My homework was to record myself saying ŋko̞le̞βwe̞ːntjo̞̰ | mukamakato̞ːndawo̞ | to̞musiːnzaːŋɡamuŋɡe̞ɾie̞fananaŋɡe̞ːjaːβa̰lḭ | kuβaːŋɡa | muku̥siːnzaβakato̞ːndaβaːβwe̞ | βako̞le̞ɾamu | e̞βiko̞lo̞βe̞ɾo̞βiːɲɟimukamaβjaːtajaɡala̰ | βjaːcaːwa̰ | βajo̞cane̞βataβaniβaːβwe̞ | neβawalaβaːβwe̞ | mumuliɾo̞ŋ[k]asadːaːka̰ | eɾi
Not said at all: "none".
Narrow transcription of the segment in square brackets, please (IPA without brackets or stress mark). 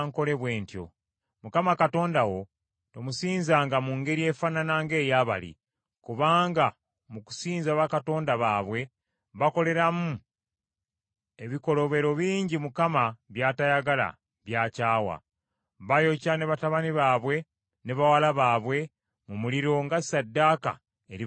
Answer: ɡ